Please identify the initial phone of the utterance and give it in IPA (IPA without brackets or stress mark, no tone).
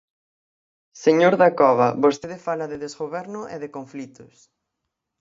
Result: s